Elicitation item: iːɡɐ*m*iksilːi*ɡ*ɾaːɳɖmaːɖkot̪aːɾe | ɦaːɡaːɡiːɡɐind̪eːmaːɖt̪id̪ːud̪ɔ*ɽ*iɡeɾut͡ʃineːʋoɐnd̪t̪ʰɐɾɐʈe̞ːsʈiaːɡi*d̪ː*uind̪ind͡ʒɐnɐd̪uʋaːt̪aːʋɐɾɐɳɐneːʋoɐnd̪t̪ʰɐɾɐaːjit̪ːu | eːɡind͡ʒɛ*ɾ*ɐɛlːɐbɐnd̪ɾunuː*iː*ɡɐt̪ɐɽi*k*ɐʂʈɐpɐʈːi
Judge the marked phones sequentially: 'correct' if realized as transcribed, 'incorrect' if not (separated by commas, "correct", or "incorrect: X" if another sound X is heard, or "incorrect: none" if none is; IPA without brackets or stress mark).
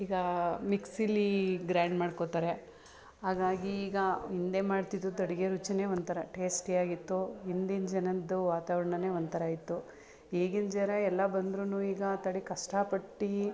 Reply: correct, correct, correct, incorrect: t̪ː, correct, correct, correct